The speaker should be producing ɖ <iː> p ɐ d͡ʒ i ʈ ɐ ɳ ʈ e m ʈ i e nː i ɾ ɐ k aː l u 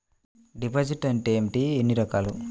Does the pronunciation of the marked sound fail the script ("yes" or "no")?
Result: yes